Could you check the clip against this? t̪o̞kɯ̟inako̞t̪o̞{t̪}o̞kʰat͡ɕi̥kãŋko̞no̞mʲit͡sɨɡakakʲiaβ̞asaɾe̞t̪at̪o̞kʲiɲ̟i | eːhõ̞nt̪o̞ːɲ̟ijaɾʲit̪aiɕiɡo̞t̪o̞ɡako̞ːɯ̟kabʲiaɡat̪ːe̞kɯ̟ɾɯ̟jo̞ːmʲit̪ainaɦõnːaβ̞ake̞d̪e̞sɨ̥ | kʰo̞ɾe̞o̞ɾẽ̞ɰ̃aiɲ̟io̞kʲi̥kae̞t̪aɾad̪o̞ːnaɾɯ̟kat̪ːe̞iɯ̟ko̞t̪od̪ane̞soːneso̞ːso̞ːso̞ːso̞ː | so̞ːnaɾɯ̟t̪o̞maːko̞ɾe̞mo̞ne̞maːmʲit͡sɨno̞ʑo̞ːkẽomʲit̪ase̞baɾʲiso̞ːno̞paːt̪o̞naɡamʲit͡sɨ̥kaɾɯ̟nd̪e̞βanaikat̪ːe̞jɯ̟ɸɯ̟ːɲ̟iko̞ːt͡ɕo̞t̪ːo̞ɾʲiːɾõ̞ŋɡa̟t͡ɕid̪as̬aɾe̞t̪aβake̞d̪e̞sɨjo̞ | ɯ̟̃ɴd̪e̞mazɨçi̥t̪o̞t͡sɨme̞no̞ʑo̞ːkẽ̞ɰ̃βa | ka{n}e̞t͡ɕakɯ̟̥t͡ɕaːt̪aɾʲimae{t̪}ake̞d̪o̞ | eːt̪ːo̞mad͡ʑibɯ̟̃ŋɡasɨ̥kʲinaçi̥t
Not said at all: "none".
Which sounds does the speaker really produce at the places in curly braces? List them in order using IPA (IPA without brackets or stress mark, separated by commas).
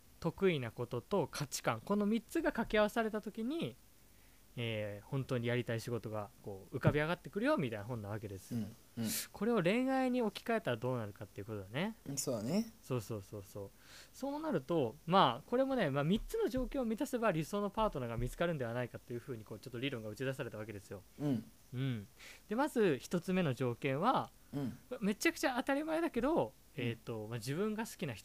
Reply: t̪, m, d̪